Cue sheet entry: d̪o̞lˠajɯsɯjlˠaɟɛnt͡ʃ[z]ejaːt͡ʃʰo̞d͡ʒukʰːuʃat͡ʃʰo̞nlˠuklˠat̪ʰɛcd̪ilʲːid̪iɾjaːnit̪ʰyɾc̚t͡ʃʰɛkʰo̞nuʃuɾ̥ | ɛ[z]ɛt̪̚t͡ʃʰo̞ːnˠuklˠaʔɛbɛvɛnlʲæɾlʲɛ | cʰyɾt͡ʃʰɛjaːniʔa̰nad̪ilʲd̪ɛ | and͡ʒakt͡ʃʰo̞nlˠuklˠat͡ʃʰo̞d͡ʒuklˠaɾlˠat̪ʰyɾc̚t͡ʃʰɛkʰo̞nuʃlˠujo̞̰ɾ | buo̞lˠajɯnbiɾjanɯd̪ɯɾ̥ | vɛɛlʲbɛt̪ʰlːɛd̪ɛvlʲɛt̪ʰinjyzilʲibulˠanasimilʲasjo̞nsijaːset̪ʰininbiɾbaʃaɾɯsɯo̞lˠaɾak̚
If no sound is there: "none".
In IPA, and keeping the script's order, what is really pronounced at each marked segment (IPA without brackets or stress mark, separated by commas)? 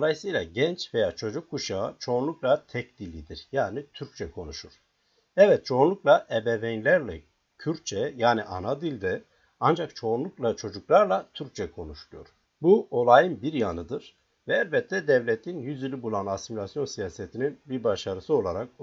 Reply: v, v